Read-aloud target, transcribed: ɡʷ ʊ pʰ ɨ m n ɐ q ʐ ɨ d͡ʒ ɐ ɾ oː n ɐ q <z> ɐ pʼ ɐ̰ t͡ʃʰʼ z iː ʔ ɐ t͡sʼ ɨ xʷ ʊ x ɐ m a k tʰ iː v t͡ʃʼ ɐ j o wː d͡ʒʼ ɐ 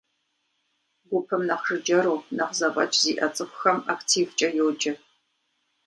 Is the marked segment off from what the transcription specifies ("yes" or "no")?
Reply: no